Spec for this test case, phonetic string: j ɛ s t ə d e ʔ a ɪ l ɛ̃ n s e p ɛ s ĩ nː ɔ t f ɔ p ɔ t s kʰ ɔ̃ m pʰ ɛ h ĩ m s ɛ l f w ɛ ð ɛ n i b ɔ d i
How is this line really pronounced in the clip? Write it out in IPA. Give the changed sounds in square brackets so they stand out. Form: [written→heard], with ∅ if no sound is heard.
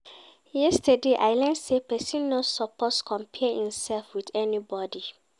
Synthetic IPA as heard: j ɛ s t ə d e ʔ a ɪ l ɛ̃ n s e p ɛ s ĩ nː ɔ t [f→s] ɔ p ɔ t s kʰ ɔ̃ m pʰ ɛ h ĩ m s ɛ l f w [ɛ→i] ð ɛ n i b ɔ d i